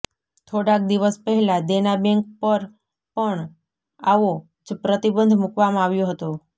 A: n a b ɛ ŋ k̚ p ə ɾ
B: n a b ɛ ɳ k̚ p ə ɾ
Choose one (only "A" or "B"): A